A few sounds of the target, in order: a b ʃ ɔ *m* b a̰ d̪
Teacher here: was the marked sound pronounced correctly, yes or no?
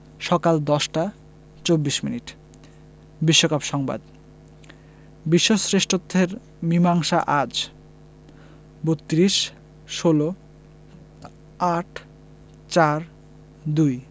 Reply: no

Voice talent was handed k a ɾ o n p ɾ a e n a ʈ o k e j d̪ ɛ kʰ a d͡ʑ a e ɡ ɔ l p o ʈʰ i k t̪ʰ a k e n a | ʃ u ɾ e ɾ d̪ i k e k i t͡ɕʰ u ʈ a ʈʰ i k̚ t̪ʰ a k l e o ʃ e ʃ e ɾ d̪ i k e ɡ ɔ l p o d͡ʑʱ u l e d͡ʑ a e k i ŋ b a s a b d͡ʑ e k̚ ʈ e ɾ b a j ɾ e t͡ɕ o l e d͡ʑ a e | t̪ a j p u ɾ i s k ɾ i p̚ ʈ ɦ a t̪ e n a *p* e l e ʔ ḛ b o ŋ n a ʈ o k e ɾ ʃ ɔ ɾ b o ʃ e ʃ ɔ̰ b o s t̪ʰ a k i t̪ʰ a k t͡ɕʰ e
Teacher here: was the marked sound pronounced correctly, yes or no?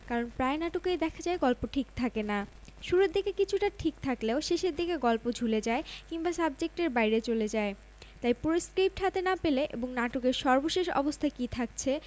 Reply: yes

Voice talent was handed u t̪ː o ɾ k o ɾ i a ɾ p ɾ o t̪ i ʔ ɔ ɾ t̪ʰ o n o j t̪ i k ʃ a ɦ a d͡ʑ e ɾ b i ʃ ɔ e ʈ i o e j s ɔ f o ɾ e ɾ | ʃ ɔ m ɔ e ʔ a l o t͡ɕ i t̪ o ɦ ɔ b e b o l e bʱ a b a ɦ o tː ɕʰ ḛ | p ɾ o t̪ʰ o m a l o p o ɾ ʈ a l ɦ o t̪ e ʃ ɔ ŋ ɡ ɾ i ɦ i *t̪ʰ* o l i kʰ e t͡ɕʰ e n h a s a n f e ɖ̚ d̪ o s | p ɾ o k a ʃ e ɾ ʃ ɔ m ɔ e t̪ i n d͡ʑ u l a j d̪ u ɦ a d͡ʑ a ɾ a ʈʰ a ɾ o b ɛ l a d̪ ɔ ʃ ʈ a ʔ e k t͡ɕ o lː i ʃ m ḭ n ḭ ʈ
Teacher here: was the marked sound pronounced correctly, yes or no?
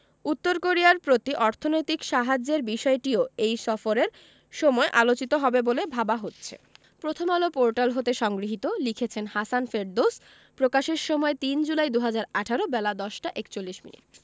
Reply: no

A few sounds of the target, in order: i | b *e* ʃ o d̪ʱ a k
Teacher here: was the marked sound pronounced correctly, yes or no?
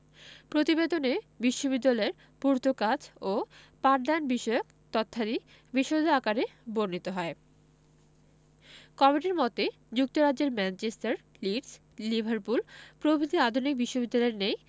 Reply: no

